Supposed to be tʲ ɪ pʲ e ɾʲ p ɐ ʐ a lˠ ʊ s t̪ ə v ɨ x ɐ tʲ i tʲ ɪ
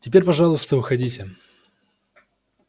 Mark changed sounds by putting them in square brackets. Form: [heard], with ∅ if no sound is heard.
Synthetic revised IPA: tʲ ɪ pʲ e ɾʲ p ɐ ʐ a lˠ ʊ s t̪ ə v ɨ x ɐ [dʲ] i tʲ ɪ